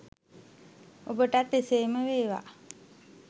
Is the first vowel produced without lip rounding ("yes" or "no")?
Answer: no